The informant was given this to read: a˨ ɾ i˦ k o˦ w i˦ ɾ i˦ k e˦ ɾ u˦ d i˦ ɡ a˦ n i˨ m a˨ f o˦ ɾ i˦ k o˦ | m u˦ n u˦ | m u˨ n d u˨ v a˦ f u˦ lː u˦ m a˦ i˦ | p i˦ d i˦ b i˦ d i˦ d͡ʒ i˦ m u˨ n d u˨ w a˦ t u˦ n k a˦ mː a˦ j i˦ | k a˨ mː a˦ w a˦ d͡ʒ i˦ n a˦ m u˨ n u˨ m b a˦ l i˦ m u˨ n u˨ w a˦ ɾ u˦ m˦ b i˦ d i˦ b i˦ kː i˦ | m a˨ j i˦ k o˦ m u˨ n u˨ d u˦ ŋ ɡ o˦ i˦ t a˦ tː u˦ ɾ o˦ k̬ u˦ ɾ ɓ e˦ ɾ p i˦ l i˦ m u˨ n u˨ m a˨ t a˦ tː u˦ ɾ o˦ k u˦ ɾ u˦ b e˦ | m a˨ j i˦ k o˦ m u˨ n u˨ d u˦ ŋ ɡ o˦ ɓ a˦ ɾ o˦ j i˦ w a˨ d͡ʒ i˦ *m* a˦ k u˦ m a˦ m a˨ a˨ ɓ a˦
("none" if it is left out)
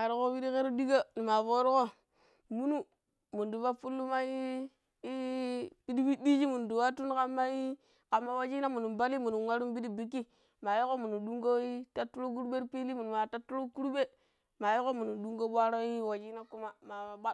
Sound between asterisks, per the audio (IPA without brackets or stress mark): n